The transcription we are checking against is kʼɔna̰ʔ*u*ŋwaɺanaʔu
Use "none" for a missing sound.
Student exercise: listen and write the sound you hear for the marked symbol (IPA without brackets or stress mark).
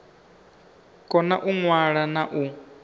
u